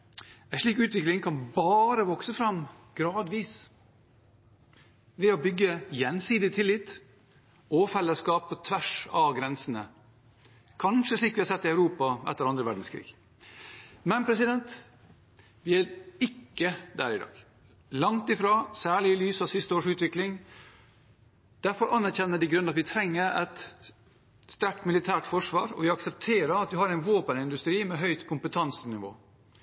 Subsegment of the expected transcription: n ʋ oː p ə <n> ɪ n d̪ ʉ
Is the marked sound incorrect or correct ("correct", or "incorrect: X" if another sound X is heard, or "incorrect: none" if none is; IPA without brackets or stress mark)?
correct